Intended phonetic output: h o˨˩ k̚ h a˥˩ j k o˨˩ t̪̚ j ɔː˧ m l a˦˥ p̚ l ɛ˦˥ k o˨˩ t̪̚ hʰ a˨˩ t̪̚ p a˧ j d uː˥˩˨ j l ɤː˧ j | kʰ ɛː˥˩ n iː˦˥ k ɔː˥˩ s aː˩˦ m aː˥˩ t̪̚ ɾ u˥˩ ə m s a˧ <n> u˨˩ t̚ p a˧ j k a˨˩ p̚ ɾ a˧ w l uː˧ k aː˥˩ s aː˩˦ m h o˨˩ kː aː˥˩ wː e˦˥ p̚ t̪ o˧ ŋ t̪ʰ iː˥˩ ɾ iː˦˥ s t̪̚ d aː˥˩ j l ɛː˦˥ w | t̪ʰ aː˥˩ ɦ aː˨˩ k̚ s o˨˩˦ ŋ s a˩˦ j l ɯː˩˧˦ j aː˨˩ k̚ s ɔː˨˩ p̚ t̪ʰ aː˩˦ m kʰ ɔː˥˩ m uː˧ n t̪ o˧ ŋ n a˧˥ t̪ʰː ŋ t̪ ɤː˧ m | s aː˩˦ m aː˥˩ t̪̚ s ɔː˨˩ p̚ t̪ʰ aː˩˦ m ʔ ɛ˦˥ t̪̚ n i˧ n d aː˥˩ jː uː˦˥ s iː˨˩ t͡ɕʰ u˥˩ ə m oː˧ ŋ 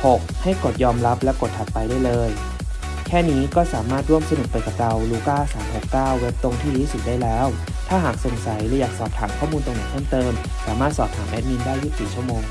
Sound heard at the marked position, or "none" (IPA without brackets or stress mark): n